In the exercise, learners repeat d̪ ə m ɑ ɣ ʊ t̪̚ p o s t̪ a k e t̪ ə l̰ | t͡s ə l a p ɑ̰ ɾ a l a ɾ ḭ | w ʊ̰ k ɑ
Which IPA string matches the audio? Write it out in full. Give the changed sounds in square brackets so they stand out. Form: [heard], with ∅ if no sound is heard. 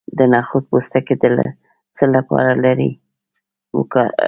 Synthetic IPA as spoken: d̪ ə [n] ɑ [x] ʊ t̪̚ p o s t̪ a k e [d̪] ə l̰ | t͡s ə l a p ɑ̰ ɾ a l a ɾ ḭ | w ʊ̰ k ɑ